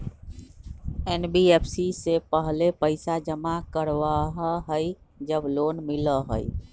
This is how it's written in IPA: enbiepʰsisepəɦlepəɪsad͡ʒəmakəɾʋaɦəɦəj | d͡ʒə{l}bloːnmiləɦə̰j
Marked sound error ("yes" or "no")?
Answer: yes